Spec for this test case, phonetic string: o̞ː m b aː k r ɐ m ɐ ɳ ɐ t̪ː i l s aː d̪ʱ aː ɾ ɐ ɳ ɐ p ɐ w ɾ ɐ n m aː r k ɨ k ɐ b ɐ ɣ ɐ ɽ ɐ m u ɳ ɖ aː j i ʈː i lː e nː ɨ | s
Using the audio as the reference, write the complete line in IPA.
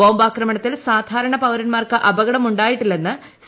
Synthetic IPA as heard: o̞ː m b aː k r ɐ m ɐ ɳ ɐ t̪ː i l s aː d̪ʱ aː ɾ ɐ ɳ ɐ p ɐ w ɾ ɐ n m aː r k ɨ ʔ ɐ b ɐ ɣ ɐ ɽ ɐ m u ɳ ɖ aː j i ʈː i lː e nː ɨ | s

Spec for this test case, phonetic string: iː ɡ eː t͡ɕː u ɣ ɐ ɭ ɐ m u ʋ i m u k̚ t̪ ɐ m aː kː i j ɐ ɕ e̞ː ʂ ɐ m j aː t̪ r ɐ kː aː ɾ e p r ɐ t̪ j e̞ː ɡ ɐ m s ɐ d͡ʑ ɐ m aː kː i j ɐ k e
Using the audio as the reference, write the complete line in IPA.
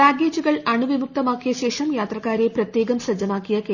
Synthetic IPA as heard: aː ɡ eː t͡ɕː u ɣ ɐ ɭ ɐ ɳ u ʋ i m u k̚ t̪ ɐ m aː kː i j ɐ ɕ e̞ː ʂ ɐ m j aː t̪ r ɐ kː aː ɾ e p r ɐ t̪ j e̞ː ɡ ɐ m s ɐ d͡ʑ ɐ m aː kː i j ɐ k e

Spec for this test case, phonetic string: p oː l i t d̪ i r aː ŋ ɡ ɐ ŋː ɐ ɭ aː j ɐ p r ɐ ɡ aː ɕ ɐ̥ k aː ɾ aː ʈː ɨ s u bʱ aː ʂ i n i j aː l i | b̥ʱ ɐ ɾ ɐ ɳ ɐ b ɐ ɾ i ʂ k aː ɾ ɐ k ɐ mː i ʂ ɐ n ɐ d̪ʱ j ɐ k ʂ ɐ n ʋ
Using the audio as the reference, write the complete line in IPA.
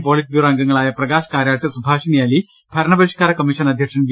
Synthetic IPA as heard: p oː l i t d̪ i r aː ŋ ɡ ɐ ŋː ɐ ɭ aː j ɐ p r ɐ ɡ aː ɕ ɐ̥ k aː ɾ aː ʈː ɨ s u bʱ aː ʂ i n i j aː l i | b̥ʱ ɐ ɾ ɐ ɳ ɐ b ɐ ɾ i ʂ k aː ɾ ɐ k ɐ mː i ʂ ɐ n ɐ d̪ʱ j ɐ k ʂ ɐ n ʋ

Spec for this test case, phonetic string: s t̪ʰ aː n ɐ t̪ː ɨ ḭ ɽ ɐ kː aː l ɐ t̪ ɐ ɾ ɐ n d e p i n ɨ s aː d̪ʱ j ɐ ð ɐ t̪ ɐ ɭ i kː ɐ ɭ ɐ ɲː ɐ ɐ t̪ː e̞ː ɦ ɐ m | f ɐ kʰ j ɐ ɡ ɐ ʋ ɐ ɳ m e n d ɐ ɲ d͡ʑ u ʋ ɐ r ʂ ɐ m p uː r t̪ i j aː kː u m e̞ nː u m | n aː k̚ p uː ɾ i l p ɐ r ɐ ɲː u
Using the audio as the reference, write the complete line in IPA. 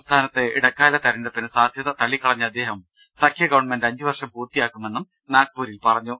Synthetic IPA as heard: s t̪ʰ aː n ɐ t̪ː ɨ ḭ ɽ ɐ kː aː l ɐ t̪ ɐ ɾ ɐ n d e p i n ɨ s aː d̪ʱ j ɐ ð ɐ t̪ ɐ ɭ i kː ɐ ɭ ɐ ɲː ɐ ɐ d̪ː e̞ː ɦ ɐ m | s ɐ kʰ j ɐ ɡ ɐ ʋ ɐ ɳ m e n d ɐ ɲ d͡ʑ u ʋ ɐ r ʂ ɐ m p uː r t̪ i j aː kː u m e̞ nː u m | n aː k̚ p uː ɾ i l p ɐ r ɐ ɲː u

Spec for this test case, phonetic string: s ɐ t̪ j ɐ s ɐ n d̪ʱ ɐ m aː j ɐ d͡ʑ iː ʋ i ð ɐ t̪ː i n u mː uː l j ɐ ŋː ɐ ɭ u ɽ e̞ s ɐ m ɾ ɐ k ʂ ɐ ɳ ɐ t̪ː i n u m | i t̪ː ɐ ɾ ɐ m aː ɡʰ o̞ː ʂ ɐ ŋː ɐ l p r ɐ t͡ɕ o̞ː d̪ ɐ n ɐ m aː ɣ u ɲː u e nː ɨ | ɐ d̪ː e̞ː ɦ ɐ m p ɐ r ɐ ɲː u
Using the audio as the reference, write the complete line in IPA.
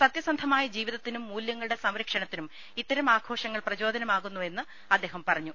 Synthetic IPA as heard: s ɐ t̪ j ɐ s ɐ n d̪ʱ ɐ m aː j ɐ d͡ʑ iː ʋ i ð ɐ t̪ː i n u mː uː l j ɐ ŋː ɐ ɭ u ɽ e̞ s ɐ m ɾ ɐ k ʂ ɐ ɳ ɐ t̪ː i n u m | i t̪ː ɐ ɾ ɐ m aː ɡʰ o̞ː ʂ ɐ ŋː ɐ ɭ p r ɐ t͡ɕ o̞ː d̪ ɐ n ɐ m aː ɣ u nː u e nː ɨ | ɐ d̪ː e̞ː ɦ ɐ m p ɐ r ɐ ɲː u

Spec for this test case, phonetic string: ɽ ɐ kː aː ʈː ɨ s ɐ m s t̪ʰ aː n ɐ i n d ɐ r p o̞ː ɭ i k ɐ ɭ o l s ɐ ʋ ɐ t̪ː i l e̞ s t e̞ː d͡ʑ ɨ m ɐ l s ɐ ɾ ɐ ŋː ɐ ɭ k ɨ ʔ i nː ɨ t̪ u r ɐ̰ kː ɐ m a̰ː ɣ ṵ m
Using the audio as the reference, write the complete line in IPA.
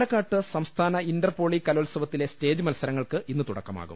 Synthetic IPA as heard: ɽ ɐ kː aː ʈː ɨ s ɐ m s t̪ʰ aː n ɐ i n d ɐ r p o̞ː ɭ i k ɐ l o l s ɐ ʋ ɐ t̪ː i l e̞ s t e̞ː d͡ʑ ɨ m ɐ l s ɐ ɾ ɐ ŋː ɐ ɭ k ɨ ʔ i nː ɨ t̪ u ɽ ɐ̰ kː ɐ m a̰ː ɣ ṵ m

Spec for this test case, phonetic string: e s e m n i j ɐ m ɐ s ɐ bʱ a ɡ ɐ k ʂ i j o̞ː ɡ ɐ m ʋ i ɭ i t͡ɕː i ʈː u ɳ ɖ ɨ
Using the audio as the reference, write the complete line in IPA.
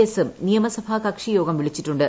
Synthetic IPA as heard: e s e m n i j ɐ m ɐ s ɐ bʱ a k ɐ k ʂ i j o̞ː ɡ ɐ m ʋ i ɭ i t͡ɕː i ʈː u ɳ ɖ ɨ

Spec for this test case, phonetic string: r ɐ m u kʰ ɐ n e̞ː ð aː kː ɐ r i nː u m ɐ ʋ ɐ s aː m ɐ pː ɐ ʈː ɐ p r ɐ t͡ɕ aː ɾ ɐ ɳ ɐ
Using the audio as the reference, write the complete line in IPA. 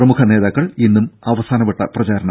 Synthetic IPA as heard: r ɐ m u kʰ ɐ n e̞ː ð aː kː ɐ ɭ i nː u m ɐ ʋ ɐ s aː n ɐ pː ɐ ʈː ɐ p r ɐ t͡ɕ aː ɾ ɐ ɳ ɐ

